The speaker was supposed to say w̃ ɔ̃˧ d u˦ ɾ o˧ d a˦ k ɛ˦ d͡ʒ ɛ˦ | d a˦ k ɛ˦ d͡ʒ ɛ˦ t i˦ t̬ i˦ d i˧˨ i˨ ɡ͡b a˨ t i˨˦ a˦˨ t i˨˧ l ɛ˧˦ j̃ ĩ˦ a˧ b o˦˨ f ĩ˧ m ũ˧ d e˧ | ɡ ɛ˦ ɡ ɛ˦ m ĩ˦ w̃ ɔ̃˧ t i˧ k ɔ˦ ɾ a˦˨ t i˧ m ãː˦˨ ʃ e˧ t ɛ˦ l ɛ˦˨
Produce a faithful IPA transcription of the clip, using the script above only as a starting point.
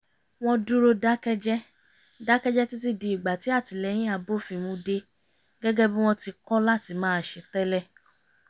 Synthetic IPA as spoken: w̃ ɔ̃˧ d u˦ ɾ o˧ d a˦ k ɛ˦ d͡ʒ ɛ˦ | d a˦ k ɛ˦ d͡ʒ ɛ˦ t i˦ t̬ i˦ d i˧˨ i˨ ɡ͡b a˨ t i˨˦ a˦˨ t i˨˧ l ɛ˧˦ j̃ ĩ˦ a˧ b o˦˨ f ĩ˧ m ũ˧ d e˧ | ɡ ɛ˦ ɡ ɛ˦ b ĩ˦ w̃ ɔ̃˧ t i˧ k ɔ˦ l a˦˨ t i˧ m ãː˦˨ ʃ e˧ t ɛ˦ l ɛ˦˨